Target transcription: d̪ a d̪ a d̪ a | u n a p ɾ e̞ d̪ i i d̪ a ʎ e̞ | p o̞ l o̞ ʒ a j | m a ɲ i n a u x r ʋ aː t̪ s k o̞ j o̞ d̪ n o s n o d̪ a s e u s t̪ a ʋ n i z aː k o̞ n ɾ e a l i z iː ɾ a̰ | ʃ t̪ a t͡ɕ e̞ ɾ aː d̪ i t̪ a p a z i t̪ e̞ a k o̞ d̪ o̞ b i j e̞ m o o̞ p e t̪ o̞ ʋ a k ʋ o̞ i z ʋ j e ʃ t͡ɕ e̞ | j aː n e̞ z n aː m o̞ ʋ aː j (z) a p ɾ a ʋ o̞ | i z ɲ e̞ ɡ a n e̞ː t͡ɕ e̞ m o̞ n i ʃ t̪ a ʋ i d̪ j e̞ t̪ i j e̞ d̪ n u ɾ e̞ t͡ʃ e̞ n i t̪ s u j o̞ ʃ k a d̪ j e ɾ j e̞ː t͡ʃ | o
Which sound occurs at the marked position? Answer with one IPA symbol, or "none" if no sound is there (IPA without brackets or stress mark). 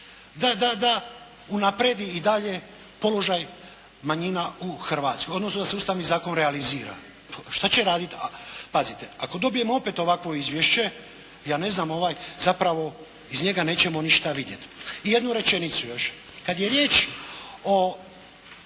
z